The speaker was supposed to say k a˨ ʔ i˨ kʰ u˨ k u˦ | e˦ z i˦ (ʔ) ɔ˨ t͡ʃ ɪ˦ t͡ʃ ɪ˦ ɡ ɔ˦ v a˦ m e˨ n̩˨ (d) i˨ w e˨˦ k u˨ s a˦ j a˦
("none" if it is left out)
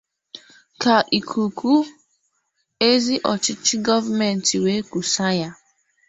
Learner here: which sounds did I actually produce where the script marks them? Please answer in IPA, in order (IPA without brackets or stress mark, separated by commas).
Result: ʔ, t